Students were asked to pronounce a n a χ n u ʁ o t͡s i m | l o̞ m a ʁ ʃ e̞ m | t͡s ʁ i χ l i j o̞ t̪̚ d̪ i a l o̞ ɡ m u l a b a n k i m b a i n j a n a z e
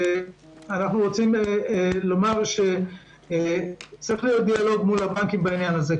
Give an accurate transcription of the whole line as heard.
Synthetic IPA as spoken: a n a χ n u ʁ o t͡s i m | l o̞ m a ʁ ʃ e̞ | t͡s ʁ i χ l i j o̞ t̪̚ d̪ i a l o̞ ɡ m u l a b a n k i m b a i n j a n a z e